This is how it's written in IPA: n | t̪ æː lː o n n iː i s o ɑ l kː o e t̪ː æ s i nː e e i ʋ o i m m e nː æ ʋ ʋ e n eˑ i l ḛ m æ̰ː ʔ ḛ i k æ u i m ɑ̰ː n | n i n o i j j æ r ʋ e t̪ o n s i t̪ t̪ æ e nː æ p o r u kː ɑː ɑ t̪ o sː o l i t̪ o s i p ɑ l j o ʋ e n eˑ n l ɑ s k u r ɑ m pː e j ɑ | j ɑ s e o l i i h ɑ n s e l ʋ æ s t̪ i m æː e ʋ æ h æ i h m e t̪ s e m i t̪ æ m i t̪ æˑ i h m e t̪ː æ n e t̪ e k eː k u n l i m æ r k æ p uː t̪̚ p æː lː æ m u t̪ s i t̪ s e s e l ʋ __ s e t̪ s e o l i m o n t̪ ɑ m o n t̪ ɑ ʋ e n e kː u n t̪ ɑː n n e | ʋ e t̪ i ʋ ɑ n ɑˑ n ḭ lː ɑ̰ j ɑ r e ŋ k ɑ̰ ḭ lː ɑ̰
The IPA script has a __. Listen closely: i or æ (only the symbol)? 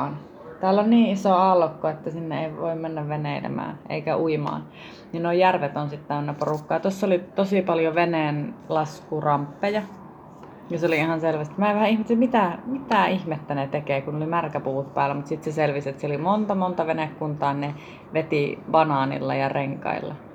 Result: i